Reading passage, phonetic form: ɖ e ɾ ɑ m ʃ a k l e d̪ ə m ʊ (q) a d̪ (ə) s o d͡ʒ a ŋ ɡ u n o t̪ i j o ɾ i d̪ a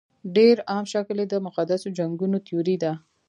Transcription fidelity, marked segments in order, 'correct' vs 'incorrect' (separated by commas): correct, incorrect